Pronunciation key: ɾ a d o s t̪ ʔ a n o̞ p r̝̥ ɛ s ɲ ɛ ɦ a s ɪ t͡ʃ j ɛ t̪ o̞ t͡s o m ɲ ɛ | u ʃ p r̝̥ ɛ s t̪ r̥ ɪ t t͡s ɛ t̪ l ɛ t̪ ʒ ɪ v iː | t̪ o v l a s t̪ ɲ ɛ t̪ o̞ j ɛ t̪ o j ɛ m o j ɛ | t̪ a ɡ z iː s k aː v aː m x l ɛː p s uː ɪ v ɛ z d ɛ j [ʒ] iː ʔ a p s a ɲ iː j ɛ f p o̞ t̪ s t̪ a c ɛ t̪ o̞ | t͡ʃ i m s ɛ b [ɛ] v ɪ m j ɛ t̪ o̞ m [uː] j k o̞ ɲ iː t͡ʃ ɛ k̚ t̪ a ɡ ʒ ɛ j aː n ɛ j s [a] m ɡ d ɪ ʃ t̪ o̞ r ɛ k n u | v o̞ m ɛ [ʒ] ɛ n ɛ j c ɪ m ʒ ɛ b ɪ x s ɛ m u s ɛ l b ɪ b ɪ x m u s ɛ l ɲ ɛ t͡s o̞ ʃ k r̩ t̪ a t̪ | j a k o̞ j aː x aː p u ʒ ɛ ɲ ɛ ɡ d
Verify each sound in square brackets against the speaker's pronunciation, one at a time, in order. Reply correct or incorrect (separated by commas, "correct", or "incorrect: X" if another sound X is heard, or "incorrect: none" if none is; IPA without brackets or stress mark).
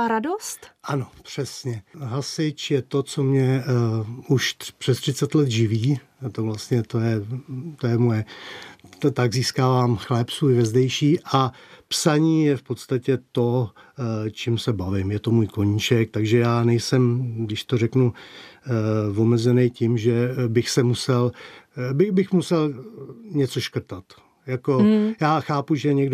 incorrect: ʃ, incorrect: a, correct, incorrect: ɛ, incorrect: z